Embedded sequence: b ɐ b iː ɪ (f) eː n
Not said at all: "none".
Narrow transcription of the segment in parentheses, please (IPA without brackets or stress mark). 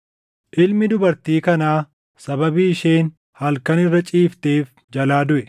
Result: ʃ